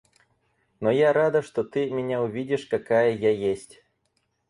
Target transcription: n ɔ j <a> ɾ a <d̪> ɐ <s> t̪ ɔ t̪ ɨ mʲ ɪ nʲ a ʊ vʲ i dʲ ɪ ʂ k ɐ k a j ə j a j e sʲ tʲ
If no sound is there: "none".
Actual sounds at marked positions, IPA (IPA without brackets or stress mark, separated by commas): a, d̪, ʂ